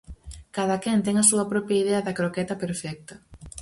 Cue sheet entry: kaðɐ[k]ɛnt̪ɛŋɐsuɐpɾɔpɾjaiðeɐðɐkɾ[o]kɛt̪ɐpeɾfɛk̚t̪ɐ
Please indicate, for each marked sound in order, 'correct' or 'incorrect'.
correct, correct

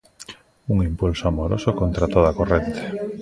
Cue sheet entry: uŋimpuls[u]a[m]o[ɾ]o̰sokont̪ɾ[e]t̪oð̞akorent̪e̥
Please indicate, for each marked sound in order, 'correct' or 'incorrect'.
incorrect: o, correct, correct, incorrect: a

